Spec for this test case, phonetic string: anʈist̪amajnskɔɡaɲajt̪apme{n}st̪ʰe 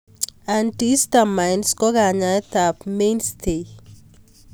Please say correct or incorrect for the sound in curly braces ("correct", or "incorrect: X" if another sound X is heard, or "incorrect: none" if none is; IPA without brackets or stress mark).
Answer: correct